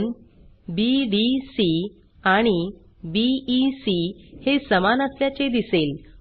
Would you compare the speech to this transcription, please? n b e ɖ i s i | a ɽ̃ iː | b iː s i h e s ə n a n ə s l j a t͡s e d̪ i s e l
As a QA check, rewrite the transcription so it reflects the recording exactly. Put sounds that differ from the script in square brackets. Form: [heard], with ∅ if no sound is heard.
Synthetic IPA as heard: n b [i] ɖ i s i | a ɽ̃ [i] | b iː s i h e s ə [m] a n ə s l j a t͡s e d̪ i s e l